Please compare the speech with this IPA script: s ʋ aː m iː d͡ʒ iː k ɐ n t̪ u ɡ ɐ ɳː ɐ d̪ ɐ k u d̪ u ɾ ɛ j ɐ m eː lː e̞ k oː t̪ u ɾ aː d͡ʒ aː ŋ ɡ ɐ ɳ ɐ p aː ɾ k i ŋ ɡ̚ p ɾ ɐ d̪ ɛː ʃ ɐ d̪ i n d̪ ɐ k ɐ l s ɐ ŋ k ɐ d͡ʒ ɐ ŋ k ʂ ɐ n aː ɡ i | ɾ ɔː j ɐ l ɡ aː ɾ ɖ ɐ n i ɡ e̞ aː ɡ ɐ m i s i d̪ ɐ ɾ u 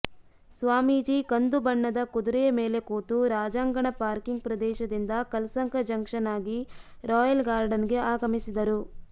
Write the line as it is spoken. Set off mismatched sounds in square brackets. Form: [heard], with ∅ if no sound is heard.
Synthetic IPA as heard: s ʋ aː m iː d͡ʒ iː k ɐ n [d̪] u [b] ɐ ɳː ɐ d̪ ɐ k u d̪ u ɾ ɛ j ɐ m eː [l] e̞ k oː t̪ u ɾ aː d͡ʒ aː ŋ ɡ ɐ ɳ ɐ p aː ɾ k i ŋ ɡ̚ p ɾ ɐ d̪ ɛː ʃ ɐ d̪ i n d̪ ɐ k ɐ l s ɐ ŋ k ɐ d͡ʒ ɐ ŋ k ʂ ɐ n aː ɡ i | ɾ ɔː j ɐ l ɡ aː ɾ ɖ ɐ n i ɡ e̞ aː ɡ ɐ m i s i d̪ ɐ ɾ u